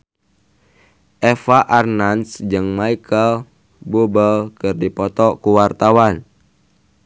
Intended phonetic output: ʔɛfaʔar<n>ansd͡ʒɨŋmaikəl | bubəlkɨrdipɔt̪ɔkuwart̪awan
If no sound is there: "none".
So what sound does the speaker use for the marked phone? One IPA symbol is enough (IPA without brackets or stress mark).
n